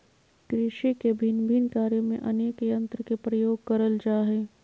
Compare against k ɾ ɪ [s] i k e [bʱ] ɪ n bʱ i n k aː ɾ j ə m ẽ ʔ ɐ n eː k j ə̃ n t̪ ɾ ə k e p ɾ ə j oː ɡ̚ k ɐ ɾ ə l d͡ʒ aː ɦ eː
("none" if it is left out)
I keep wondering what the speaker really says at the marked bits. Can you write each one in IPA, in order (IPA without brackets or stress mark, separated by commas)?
ʃ, bʱ